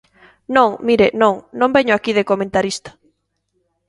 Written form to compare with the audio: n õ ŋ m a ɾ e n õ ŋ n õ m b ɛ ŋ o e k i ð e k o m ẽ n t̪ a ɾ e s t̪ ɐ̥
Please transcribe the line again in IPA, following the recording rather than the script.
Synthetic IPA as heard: n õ ŋ m i ɾ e n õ ŋ n õ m b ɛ ɲ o a k i ð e k o m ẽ n t̪ a ɾ i s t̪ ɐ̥